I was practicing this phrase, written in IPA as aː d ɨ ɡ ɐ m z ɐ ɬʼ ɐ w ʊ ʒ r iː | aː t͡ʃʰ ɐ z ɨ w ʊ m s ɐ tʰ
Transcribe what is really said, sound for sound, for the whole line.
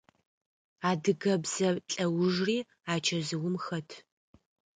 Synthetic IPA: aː d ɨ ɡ ɐ b z ɐ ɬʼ ɐ w ʊ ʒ r iː | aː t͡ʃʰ ɐ z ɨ w ʊ m x ɐ tʰ